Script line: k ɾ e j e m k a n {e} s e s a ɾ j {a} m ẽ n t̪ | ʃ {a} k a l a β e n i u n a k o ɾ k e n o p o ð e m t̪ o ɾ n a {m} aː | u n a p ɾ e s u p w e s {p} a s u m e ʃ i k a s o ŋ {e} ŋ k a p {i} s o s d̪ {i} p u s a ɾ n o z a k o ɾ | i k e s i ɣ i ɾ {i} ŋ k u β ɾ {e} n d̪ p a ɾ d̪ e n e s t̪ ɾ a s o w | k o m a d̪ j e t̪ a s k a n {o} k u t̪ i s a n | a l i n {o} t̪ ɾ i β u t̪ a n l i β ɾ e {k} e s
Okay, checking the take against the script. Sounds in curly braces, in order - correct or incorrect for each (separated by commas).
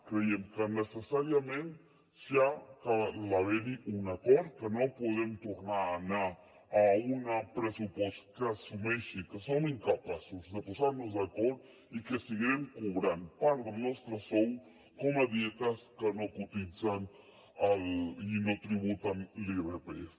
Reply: correct, correct, correct, incorrect, incorrect, incorrect, incorrect, incorrect, incorrect, incorrect, correct, correct, incorrect